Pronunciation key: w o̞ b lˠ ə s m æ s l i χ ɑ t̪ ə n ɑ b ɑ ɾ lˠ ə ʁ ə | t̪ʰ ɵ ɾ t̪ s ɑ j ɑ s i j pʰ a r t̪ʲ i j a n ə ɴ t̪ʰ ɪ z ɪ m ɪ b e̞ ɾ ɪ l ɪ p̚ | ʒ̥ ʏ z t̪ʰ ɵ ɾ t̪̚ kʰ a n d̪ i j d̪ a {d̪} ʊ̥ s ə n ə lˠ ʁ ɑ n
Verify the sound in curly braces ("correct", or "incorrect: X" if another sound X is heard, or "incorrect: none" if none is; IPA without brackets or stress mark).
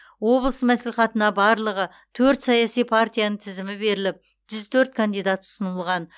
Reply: incorrect: t̪